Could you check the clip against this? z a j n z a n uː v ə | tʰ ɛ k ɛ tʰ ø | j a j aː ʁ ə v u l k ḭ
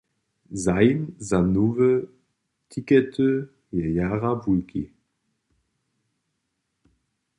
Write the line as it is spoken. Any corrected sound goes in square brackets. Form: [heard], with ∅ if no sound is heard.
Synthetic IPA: z a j n z a n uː v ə | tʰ [i] k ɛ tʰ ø | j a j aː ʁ [a] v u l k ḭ